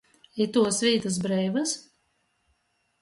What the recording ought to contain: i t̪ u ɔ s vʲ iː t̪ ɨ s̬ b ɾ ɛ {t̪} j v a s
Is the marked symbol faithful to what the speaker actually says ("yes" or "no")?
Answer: no